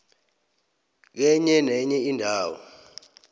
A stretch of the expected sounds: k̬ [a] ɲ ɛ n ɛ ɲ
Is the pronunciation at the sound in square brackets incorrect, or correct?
incorrect